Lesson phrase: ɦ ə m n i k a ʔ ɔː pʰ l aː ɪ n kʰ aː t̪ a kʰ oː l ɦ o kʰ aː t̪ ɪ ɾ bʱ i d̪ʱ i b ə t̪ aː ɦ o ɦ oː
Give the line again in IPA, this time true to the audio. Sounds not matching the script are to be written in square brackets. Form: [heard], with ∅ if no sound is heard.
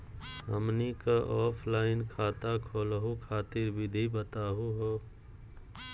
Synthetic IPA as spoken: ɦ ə m n i k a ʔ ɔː pʰ l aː ɪ n kʰ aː t̪ a kʰ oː l ɦ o kʰ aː t̪ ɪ ɾ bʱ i d̪ʱ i b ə t̪ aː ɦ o ɦ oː

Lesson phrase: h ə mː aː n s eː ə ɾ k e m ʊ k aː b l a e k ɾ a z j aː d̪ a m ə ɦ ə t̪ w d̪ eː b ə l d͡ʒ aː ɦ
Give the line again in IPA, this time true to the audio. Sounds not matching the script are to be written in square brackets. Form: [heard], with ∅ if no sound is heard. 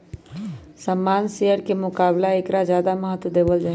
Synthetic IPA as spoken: [s] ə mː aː n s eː ə ɾ k e m ʊ k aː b l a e k ɾ a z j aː d̪ a m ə ɦ ə t̪ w d̪ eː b ə l d͡ʒ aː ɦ

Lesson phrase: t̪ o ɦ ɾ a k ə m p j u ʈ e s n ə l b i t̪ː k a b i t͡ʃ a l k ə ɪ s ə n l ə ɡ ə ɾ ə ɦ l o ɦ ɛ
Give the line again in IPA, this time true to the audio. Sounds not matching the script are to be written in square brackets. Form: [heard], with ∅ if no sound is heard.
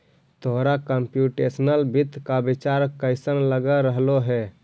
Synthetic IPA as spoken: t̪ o ɦ ɾ a k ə m p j u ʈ e s n ə l b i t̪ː k a b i t͡ʃ a [ɾ] k ə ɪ s ə n l ə ɡ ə ɾ ə ɦ l o ɦ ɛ

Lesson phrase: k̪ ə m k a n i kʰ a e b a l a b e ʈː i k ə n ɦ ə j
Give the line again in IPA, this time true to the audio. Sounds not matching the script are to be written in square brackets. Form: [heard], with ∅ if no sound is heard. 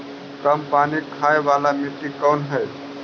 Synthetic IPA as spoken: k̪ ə m [p] a n i kʰ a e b a l a [m] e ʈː i k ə n ɦ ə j

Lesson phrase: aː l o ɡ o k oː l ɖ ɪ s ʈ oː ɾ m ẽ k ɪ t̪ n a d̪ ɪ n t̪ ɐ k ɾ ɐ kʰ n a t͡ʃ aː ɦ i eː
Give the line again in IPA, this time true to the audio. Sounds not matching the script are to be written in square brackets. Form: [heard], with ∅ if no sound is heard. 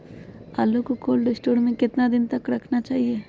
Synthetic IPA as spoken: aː l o [k] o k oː l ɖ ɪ s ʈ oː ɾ m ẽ k ɪ t̪ n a d̪ ɪ n t̪ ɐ k ɾ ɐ kʰ n a t͡ʃ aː ɦ i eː

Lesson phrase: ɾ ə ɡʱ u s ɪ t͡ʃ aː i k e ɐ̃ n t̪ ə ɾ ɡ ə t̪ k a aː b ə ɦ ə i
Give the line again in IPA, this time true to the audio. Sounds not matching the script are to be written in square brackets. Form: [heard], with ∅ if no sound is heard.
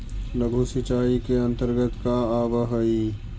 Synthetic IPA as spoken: [l] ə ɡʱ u s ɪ t͡ʃ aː i k e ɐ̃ n t̪ ə ɾ ɡ ə t̪ k a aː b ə ɦ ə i

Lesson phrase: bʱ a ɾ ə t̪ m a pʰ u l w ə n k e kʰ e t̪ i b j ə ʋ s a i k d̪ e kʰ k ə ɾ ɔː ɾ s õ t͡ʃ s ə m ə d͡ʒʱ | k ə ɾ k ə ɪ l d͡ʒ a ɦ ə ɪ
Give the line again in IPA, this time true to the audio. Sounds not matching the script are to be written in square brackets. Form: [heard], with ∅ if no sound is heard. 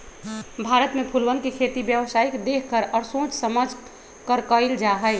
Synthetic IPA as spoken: bʱ a ɾ ə t̪ m [e] pʰ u l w ə n k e kʰ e t̪ i b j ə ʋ s a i k d̪ e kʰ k ə ɾ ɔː ɾ s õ t͡ʃ s ə m ə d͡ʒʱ | k ə ɾ k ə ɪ l d͡ʒ a ɦ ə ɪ

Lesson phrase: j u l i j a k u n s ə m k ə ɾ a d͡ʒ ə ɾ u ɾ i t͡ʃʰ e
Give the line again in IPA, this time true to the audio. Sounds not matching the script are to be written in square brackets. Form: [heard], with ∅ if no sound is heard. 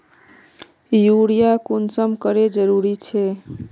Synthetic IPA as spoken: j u [ɽ] i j a k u n s ə m k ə ɾ [e] d͡ʒ ə ɾ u ɾ i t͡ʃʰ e

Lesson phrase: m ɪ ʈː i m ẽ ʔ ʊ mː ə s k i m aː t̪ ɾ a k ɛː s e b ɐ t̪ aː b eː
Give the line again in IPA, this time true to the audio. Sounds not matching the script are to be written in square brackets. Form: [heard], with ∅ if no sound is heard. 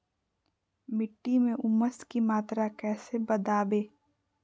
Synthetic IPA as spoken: m ɪ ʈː i m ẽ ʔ ʊ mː ə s k i m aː t̪ ɾ a k ɛː s e b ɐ [d̪] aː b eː

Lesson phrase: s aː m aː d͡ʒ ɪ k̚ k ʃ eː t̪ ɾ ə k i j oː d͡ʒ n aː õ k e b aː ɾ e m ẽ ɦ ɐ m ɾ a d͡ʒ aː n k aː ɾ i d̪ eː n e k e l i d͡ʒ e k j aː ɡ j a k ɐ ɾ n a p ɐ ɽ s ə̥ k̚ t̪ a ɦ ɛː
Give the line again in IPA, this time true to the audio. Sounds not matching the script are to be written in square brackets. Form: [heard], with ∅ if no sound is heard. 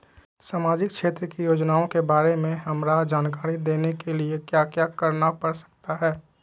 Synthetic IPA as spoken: s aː m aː d͡ʒ ɪ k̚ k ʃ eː t̪ ɾ ə k i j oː d͡ʒ n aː õ k e b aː ɾ e m ẽ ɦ ɐ m ɾ a d͡ʒ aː n k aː ɾ i d̪ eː n e k e l i [∅] e k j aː [k] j a k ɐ ɾ n a p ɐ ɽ s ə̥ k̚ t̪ a ɦ ɛː

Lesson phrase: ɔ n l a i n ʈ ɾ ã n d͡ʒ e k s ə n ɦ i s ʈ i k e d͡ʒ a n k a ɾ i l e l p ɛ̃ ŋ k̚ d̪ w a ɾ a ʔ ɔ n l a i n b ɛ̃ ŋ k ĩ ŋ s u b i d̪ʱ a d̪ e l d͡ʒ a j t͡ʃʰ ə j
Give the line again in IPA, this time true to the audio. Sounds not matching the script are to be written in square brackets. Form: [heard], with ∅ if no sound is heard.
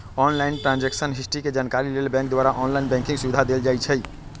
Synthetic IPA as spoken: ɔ n l a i n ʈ ɾ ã n d͡ʒ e k s ə n ɦ i s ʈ i k e d͡ʒ a n k a ɾ i l e l [b] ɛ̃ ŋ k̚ d̪ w a ɾ a ʔ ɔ n l a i n b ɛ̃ ŋ k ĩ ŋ s u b i d̪ʱ a d̪ e l d͡ʒ a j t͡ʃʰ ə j

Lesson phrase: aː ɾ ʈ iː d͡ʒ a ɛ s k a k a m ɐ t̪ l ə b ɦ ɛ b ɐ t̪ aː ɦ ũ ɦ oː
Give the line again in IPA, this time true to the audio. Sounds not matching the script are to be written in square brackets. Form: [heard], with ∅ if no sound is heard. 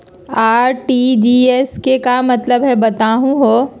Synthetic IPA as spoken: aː ɾ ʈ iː d͡ʒ [i] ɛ s k [e] k a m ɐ t̪ l ə b ɦ ɛ b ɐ t̪ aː ɦ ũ ɦ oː

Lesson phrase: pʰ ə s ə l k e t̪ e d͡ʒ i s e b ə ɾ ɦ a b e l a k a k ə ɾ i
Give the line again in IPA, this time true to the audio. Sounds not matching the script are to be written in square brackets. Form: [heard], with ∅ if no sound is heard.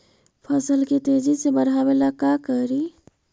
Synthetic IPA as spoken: pʰ ə s ə l k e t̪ e d͡ʒ i s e b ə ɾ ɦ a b e l a k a k ə ɾ i

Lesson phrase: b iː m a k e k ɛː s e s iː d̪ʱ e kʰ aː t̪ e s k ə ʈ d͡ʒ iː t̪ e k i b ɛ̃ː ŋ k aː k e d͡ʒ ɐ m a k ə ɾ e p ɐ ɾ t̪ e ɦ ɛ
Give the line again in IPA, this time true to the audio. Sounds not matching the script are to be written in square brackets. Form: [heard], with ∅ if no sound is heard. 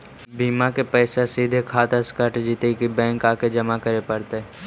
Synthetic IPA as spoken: b iː m a k e [p] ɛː s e s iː d̪ʱ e kʰ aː t̪ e s k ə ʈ d͡ʒ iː t̪ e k i b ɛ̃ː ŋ k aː k e d͡ʒ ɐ m a k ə ɾ e p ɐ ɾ t̪ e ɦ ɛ

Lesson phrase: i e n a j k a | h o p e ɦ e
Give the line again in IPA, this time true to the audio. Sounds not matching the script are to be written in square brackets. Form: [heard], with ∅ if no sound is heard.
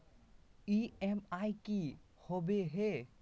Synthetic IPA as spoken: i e [m] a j k [i] | h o [b] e ɦ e

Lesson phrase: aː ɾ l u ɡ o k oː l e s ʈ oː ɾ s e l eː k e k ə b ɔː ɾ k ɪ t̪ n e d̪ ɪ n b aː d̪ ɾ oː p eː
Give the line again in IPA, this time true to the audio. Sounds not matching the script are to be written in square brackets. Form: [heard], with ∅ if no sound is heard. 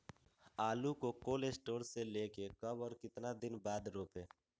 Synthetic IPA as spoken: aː [∅] l u [k] o k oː l e s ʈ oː ɾ s e l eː k e k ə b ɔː ɾ k ɪ t̪ n [a] d̪ ɪ n b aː d̪ ɾ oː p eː

